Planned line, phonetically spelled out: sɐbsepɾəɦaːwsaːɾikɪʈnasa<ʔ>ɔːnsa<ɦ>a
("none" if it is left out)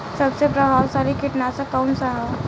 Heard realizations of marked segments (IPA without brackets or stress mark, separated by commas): k, ɦ